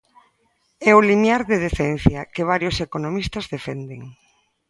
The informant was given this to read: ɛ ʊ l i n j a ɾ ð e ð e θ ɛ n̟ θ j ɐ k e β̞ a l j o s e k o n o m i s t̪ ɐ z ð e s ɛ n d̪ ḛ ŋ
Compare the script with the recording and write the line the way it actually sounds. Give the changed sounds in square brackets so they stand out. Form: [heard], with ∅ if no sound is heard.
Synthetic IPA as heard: ɛ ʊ l i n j a ɾ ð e ð e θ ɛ n̟ θ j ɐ k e β̞ a [ɾ] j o s e k o n o m i s t̪ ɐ z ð e [f] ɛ n d̪ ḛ ŋ

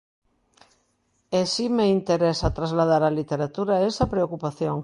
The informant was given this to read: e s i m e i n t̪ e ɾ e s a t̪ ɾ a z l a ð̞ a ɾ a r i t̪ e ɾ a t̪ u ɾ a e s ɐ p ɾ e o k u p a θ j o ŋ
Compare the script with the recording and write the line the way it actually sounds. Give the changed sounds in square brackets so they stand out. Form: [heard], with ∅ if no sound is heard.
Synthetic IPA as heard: e s i m e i n t̪ e ɾ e s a t̪ ɾ a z l a ð̞ a ɾ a [l] i t̪ e ɾ a t̪ u ɾ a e s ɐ p ɾ e o k u p a θ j o ŋ

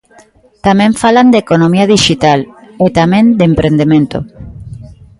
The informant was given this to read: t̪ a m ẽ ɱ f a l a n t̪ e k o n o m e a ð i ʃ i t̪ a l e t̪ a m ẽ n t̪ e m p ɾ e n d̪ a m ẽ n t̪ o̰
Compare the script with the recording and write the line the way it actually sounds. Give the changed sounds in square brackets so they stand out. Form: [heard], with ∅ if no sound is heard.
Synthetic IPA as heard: t̪ a m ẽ ɱ f a l a n [d̪] e k o n o m [i] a ð i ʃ i t̪ a l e t̪ a m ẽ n [d̪] e m p ɾ e n d̪ [e] m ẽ n t̪ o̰

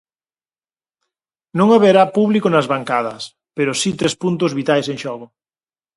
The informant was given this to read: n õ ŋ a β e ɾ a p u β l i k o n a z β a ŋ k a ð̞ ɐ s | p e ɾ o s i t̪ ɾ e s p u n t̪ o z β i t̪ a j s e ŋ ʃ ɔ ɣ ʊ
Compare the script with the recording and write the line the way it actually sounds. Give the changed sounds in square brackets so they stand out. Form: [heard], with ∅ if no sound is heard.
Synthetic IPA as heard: n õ ŋ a β e ɾ a p u β l i k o n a z β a ŋ k a ð̞ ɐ s | p e ɾ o s i t̪ ɾ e s p u n t̪ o z β i t̪ a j s e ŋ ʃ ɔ ɣ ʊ

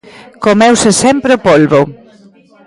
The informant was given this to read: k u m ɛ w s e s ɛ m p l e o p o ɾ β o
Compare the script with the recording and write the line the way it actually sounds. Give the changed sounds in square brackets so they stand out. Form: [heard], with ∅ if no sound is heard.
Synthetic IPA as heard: k [o] m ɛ w s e s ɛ m p [ɾ] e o p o [l] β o

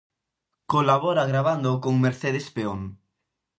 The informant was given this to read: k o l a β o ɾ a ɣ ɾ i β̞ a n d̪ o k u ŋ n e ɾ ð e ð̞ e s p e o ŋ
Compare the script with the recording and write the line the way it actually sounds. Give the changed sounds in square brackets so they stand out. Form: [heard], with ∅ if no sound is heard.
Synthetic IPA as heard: k o l a β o ɾ a ɣ ɾ [a] β̞ a n d̪ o k [o] ŋ [m] e ɾ [θ] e ð̞ e s p e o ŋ

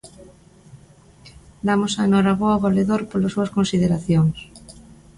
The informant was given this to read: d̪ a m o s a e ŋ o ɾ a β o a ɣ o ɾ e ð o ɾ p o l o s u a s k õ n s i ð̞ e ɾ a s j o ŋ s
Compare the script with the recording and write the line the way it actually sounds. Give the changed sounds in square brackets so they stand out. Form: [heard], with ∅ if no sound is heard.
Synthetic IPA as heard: d̪ a m o s a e [n] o ɾ a β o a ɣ o [l] e ð o ɾ p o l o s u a s k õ n s i ð̞ e ɾ a [θ] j o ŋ s

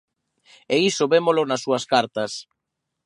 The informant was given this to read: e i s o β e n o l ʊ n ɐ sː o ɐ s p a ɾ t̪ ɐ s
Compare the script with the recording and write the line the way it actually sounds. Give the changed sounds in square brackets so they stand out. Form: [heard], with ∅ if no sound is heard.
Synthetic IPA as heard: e i s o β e [m] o l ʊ n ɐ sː [u] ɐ s [k] a ɾ t̪ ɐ s

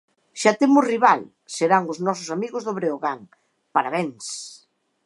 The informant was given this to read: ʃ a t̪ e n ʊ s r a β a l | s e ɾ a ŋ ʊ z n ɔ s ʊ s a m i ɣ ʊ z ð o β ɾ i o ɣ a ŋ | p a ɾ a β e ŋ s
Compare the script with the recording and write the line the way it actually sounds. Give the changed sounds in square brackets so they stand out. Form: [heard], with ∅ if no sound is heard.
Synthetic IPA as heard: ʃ a t̪ e [m] ʊ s r [i] β a l | s e ɾ a ŋ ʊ z n ɔ s ʊ s a m i ɣ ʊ z ð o β ɾ [e] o ɣ a ŋ | p a ɾ a β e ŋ s

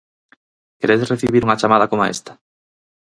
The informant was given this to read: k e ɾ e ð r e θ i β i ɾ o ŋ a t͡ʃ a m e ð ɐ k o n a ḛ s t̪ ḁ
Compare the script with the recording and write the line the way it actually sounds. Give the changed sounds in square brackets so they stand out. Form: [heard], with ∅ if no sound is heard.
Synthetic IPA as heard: k e ɾ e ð r e θ i β i ɾ [u] ŋ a t͡ʃ a m [a] ð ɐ k o [m] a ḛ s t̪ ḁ

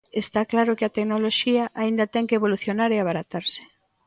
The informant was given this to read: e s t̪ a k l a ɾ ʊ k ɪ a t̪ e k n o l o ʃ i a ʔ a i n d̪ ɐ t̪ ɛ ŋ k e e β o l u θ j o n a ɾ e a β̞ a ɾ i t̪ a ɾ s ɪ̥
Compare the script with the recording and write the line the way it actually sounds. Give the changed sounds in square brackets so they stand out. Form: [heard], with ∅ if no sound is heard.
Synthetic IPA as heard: e s t̪ a k l a ɾ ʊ k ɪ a t̪ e k n o l o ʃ i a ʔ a i n d̪ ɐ t̪ ɛ ŋ k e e β o l u θ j o n a ɾ e a β̞ a ɾ [a] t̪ a ɾ s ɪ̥

